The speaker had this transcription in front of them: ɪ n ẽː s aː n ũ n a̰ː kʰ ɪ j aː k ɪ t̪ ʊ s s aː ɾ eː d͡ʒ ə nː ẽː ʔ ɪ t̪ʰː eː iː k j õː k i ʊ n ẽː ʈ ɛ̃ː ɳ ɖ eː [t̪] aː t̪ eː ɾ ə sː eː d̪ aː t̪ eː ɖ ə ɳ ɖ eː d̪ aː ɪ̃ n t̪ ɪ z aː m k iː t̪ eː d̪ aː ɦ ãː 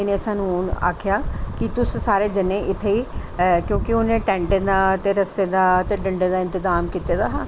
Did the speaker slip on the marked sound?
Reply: yes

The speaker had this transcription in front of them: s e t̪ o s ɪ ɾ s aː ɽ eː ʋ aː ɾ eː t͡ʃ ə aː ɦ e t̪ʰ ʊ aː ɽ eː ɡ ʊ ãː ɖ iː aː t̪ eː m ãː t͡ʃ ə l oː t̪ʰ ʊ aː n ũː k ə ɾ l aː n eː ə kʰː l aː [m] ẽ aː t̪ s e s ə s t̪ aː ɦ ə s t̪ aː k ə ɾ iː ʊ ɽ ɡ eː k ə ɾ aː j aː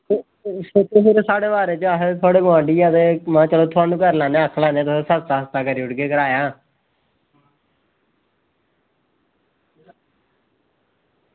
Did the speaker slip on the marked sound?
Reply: yes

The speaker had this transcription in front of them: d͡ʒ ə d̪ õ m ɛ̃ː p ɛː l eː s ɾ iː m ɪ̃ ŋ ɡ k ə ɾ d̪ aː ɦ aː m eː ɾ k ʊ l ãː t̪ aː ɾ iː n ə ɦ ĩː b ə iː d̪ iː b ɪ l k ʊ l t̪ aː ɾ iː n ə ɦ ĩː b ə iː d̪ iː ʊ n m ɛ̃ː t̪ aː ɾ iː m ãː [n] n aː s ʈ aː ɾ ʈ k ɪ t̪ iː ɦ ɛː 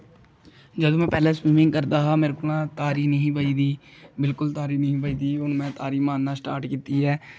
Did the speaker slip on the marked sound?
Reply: no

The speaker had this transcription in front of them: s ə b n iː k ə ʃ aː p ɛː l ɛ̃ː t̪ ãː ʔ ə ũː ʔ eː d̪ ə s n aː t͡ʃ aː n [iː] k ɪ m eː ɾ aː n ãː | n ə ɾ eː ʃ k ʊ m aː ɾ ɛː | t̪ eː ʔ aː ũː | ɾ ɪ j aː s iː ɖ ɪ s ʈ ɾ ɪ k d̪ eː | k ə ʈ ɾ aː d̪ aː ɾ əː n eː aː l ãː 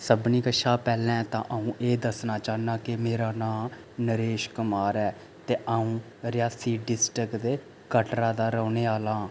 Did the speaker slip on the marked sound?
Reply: yes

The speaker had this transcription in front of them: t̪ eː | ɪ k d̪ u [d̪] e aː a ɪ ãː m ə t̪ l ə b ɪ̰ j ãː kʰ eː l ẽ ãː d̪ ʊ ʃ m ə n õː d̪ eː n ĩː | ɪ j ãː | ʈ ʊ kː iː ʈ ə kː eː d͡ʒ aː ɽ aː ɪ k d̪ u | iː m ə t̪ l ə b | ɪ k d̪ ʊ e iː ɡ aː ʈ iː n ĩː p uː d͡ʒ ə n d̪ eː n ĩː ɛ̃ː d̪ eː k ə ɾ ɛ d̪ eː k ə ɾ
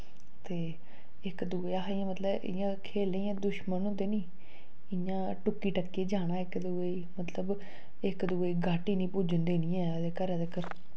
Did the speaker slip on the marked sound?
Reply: yes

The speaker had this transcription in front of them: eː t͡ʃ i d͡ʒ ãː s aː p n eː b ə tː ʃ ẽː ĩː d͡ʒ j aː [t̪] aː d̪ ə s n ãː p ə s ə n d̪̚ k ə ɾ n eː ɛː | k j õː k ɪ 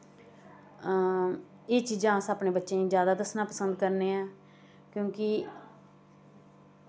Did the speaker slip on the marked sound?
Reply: yes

